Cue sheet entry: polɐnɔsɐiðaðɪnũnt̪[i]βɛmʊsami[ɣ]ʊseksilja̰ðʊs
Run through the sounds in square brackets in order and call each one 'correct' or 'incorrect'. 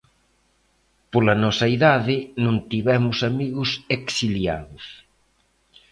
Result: correct, correct

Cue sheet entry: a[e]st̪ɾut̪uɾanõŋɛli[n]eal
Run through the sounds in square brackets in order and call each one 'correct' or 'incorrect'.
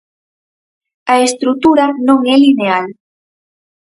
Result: correct, correct

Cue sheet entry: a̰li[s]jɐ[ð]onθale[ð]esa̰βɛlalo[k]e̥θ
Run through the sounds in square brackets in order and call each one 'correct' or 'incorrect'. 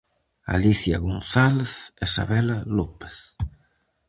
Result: incorrect, incorrect, incorrect, incorrect

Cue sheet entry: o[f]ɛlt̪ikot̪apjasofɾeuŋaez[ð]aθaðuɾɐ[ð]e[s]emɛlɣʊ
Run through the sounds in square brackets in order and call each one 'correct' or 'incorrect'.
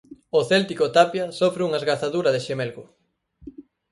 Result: incorrect, incorrect, correct, incorrect

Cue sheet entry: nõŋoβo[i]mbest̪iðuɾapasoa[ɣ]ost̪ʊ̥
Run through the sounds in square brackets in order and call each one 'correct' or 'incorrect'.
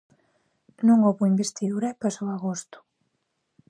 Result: correct, correct

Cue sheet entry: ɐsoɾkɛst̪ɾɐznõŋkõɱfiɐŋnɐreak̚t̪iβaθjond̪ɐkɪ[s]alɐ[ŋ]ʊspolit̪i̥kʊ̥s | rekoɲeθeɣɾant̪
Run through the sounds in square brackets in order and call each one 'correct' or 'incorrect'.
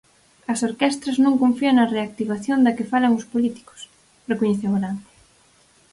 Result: incorrect, correct

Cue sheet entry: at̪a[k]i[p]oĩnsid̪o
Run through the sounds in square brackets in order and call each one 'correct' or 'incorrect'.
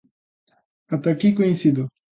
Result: correct, incorrect

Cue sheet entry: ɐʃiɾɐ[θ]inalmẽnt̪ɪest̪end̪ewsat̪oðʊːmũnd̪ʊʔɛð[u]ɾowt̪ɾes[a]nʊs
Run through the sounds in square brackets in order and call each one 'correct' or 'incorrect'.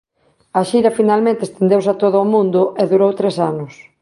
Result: incorrect, correct, correct

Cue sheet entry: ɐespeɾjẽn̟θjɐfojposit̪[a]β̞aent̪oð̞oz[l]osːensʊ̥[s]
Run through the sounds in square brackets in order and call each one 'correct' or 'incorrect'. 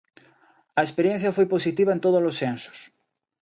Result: incorrect, correct, correct

